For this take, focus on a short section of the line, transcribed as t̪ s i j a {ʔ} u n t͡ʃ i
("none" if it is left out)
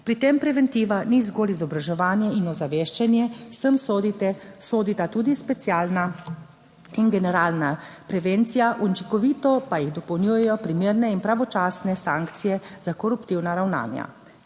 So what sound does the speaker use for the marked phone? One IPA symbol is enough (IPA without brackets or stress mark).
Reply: ʔ